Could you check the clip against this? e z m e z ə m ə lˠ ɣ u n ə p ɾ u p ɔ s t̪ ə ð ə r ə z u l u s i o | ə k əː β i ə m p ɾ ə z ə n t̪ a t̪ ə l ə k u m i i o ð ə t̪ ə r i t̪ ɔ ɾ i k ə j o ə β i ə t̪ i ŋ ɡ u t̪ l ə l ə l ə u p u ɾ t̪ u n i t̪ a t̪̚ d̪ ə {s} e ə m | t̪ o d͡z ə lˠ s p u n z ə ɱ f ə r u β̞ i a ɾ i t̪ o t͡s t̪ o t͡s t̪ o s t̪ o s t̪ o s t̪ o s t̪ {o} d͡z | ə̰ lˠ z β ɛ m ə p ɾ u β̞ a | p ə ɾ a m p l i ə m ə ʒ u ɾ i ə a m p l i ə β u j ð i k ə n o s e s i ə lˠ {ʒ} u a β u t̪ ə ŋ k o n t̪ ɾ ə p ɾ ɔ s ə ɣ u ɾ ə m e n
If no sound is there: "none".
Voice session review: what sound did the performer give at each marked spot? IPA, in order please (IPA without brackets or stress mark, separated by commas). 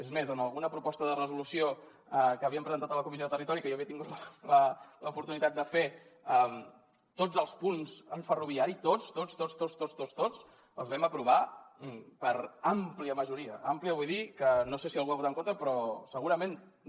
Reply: f, o, ɣ